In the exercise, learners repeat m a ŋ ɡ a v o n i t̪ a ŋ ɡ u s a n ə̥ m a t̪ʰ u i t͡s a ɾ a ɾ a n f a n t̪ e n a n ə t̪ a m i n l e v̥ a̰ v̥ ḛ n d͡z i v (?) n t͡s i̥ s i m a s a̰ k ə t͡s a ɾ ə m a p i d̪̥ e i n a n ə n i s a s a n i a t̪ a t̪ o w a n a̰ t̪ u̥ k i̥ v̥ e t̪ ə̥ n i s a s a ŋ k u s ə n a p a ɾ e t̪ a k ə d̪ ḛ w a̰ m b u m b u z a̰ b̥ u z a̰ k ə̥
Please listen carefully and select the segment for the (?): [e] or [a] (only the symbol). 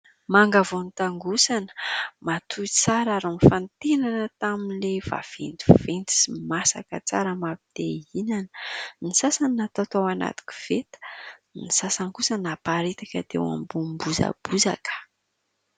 e